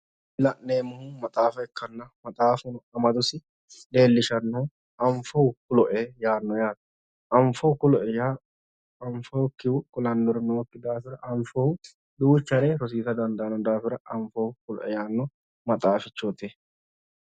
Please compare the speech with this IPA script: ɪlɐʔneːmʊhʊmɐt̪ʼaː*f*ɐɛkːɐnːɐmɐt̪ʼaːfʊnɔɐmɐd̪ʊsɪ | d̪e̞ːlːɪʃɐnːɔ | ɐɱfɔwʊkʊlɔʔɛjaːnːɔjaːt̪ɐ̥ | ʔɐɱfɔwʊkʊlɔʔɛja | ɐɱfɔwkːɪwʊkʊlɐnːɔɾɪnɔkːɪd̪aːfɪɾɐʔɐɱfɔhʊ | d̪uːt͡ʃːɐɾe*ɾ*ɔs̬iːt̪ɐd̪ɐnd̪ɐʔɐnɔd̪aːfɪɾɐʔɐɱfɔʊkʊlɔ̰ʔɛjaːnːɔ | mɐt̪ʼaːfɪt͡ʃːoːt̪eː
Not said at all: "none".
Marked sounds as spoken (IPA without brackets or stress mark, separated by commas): f, ɾ